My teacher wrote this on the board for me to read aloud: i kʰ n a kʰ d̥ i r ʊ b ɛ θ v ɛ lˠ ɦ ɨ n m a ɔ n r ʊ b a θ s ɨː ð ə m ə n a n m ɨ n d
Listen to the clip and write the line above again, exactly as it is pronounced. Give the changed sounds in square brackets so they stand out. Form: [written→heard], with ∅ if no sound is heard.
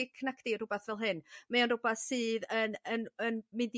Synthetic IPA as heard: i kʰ n a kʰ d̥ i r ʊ b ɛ θ v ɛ lˠ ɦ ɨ n m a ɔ n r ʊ b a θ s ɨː ð ə [m→n] ə n [a→ə] n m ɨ n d